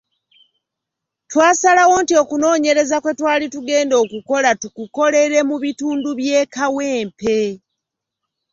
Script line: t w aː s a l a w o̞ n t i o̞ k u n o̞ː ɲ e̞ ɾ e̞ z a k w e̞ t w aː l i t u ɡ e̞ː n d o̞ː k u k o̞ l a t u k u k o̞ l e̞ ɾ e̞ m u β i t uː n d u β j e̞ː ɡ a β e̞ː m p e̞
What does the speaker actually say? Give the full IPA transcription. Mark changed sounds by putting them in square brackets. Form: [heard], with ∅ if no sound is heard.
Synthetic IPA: t w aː s a l a w o̞ n t i o̞ k u n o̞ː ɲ e̞ ɾ e̞ z a k w e̞ t w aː l i t u ɡ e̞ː n d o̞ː k u k o̞ l a t u k u k o̞ l e̞ ɾ e̞ m u β i t uː n d u β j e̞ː [k] a [w] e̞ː m p e̞